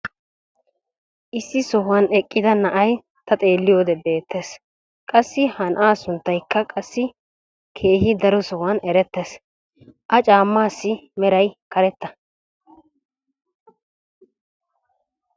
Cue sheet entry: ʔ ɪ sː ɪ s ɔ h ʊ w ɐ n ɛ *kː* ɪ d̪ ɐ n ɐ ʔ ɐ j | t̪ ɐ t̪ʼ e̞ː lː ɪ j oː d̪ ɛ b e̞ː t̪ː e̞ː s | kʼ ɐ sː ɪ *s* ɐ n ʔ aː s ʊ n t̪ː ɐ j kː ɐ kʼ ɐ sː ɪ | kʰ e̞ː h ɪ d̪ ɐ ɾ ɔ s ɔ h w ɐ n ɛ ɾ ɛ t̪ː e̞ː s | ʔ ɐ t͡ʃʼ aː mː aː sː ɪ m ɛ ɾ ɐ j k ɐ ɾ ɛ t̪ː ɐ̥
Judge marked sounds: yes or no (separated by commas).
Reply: no, no